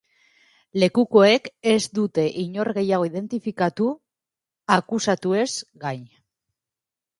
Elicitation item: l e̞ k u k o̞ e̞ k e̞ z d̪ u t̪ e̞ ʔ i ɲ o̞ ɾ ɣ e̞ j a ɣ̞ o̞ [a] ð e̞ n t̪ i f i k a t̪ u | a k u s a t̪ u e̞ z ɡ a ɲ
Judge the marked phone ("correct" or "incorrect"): incorrect